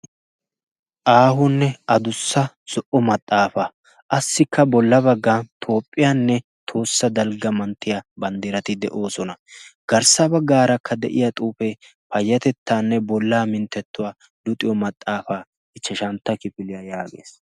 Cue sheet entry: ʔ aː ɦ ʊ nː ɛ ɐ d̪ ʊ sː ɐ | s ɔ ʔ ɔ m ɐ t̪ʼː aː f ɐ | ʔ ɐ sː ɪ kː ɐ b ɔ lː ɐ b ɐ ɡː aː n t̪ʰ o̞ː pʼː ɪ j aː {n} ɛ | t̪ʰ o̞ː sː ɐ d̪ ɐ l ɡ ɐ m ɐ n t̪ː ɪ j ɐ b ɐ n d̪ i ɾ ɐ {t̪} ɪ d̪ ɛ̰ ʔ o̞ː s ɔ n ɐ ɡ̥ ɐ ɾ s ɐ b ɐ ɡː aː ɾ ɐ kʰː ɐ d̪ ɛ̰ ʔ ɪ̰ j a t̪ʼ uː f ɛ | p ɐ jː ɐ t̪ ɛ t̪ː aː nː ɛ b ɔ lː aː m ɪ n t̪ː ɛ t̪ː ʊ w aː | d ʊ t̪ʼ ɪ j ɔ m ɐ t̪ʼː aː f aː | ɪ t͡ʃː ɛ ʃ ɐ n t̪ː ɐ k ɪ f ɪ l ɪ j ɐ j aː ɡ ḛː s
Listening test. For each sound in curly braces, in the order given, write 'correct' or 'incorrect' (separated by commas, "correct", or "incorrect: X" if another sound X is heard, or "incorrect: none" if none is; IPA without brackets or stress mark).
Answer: incorrect: nː, correct